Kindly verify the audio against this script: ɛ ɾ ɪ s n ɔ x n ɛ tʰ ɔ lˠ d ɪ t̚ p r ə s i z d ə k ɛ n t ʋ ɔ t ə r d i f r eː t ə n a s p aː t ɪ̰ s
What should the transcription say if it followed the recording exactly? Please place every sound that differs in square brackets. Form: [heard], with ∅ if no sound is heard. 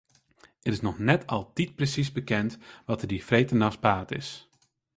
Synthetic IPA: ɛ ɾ ɪ s n ɔ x n ɛ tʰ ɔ lˠ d [i] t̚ p r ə s i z [b] ə k ɛ n t ʋ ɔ t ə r d i f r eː t ə n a s p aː t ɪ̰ s